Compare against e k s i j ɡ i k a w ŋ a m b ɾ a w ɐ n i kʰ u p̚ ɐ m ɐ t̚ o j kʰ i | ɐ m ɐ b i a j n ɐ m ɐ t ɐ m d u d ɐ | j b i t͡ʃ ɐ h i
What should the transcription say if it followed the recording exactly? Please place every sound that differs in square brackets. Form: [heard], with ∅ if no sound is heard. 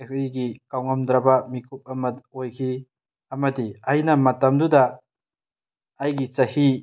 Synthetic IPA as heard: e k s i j ɡ i k a w ŋ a m [d] ɾ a [b] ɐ [m] i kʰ u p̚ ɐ m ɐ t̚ o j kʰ i | ɐ m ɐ [d] i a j n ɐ m ɐ t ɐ m d u d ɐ | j [ɡ] i t͡ʃ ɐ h i